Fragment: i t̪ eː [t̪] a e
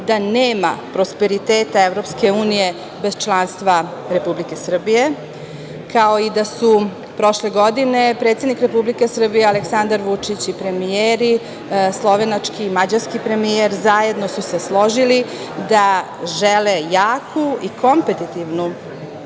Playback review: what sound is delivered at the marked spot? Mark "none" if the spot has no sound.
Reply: t̪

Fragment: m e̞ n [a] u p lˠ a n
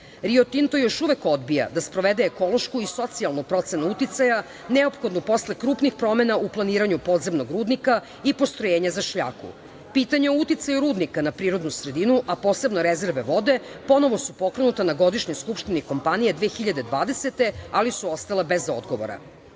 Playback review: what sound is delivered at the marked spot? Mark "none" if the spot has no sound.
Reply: a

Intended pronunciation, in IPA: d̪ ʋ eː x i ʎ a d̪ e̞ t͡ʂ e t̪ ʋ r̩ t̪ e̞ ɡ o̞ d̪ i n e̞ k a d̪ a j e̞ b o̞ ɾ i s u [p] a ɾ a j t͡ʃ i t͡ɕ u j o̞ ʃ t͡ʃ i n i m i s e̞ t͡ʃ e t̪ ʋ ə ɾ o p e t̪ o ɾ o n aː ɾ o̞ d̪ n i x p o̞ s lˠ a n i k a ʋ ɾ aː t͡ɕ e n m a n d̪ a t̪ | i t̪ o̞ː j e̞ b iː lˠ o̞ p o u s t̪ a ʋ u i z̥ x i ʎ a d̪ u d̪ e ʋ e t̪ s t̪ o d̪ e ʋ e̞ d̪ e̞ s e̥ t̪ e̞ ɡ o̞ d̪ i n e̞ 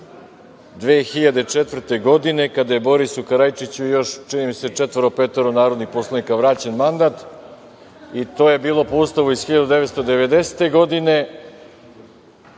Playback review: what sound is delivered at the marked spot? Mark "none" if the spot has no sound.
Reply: k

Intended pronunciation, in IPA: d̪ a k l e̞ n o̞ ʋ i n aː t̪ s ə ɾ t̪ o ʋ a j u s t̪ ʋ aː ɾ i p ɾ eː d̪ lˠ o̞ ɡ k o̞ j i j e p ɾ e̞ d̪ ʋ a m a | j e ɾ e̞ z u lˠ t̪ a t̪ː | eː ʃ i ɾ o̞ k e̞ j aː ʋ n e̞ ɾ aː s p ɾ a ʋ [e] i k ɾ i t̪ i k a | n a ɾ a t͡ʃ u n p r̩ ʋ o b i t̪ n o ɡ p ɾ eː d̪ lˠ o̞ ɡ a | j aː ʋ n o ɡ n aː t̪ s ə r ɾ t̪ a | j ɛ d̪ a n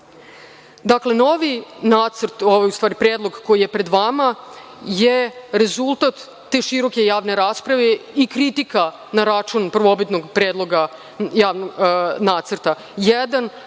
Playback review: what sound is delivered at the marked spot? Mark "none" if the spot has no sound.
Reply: e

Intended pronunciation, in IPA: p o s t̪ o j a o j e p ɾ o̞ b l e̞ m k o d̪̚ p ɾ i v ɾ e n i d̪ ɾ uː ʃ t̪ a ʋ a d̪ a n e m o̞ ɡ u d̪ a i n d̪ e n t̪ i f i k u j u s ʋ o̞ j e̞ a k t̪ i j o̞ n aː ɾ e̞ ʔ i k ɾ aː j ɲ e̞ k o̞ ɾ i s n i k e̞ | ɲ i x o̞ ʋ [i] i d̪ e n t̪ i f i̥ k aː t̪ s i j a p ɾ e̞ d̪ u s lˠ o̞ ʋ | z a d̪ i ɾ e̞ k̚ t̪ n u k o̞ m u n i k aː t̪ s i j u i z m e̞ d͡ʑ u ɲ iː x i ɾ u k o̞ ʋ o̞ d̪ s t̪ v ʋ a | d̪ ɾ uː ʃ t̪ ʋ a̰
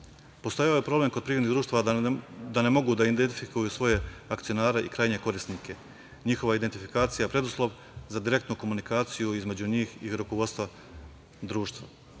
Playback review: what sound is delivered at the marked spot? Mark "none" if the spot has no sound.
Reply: a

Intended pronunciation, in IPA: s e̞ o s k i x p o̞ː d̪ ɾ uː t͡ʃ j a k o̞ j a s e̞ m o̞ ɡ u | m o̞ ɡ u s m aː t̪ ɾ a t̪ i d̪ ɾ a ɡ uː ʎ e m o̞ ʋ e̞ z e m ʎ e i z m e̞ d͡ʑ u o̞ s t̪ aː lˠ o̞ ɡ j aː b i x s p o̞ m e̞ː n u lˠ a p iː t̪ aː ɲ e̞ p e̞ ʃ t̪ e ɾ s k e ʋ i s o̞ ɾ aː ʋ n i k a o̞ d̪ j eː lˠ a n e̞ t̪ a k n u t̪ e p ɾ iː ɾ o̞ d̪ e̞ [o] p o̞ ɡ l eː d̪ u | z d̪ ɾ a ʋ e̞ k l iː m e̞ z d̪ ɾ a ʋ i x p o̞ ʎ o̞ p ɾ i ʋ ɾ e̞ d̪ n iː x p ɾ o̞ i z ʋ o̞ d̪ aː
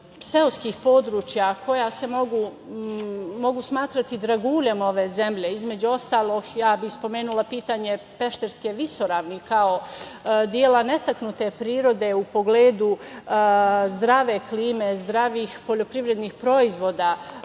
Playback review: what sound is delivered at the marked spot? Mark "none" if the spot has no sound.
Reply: u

